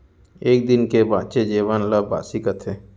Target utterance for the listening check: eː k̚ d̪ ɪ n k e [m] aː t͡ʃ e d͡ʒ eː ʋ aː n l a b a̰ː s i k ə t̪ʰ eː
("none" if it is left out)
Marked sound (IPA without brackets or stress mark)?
b